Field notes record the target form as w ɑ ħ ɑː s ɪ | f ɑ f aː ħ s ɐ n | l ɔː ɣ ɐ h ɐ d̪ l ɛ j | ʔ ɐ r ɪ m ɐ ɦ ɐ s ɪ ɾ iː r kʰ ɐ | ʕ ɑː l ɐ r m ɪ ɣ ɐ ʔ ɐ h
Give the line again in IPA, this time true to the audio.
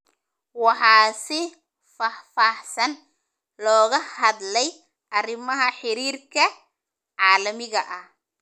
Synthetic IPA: w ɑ ħ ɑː s ɪ | f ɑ f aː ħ s ɐ n | l ɔː ɣ ɐ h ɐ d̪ l ɛ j | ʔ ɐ r ɪ m ɐ ɦ ɐ ħ ɪ ɾ iː r kʰ ɐ | ʕ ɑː l ɐ m ɪ ɣ ɐ ʔ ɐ h